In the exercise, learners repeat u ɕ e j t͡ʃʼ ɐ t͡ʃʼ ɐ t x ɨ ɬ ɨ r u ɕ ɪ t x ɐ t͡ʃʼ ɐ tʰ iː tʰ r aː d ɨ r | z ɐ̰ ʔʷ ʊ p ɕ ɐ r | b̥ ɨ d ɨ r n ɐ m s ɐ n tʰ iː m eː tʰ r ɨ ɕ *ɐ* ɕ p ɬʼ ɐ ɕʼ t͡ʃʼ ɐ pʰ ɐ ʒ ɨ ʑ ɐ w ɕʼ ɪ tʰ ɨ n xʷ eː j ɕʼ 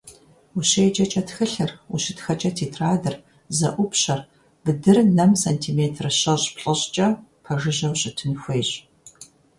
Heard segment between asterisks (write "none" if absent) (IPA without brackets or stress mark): ɐ